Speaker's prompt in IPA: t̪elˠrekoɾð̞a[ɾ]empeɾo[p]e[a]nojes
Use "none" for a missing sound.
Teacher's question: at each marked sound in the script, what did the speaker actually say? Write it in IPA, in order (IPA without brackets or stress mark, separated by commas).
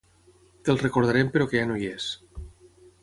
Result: ɾ, k, a